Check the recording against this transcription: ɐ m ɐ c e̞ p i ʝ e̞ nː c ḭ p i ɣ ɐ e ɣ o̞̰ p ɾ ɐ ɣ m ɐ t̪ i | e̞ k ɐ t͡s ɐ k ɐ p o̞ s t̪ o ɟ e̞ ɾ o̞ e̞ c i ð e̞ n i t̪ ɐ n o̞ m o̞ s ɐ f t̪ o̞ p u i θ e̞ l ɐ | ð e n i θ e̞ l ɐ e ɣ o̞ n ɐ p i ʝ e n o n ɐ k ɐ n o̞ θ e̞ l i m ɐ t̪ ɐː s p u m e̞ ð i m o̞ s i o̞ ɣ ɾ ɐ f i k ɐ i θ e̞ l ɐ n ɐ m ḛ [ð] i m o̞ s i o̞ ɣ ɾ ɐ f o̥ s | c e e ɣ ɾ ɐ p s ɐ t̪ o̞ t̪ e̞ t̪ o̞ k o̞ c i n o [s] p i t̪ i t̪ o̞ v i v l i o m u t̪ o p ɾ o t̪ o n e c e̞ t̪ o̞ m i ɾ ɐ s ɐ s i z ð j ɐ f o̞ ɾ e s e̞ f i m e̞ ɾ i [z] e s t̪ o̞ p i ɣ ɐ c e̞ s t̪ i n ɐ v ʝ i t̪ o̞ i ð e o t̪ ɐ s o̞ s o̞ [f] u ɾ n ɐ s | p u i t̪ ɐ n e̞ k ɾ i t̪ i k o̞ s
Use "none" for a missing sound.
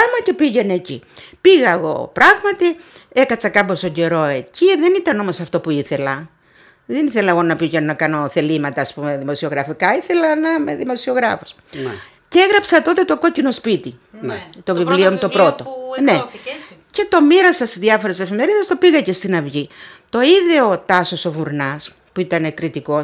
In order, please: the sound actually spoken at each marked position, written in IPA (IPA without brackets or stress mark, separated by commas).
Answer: ð, s, ð, v